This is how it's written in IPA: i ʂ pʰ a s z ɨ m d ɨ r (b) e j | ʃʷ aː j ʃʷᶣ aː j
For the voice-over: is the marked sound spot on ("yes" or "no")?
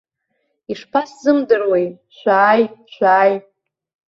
no